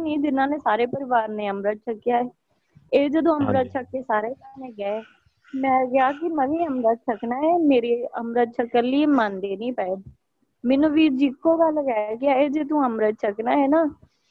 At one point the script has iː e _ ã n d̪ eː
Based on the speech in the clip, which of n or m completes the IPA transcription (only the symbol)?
m